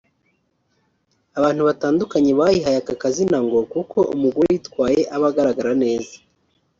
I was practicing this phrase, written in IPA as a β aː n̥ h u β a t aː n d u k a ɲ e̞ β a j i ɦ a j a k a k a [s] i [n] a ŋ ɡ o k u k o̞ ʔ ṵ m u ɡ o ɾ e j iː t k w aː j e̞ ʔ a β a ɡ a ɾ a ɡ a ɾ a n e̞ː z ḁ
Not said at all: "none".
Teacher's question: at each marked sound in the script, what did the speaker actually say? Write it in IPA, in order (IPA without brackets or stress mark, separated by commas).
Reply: z, n